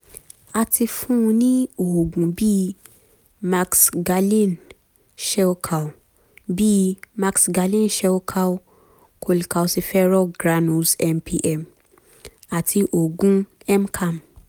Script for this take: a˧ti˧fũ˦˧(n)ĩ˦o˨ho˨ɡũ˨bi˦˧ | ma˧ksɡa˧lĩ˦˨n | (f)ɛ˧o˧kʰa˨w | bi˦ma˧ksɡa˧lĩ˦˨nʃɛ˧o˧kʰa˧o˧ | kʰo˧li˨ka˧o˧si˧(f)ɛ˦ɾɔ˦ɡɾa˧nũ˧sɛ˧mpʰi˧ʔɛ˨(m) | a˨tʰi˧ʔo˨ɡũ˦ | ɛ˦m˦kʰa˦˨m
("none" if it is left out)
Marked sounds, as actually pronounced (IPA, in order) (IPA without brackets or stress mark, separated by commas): n, ʃ, f, m